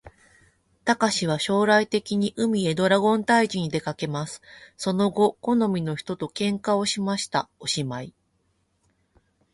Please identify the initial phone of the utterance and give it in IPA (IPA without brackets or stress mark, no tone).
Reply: t̪